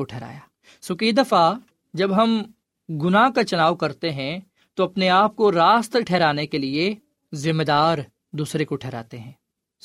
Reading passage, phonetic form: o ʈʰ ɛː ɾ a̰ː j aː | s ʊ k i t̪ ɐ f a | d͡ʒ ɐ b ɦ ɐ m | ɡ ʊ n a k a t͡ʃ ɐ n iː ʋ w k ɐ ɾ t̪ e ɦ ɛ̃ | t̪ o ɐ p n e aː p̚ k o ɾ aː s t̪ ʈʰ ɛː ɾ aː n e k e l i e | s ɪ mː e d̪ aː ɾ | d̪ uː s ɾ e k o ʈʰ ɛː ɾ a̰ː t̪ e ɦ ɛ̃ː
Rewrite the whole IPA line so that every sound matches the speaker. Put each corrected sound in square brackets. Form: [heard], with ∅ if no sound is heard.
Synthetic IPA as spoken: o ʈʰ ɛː ɾ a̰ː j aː | s ʊ k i [d̪] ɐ f a | d͡ʒ ɐ b ɦ ɐ m | ɡ ʊ n a k a t͡ʃ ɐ n [aː] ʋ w k ɐ ɾ t̪ e ɦ ɛ̃ | t̪ o ɐ p n e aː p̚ k o ɾ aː s t̪ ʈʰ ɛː ɾ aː n e k e l i e | [z] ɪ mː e d̪ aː ɾ | d̪ uː s ɾ e k o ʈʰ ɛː ɾ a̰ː t̪ e ɦ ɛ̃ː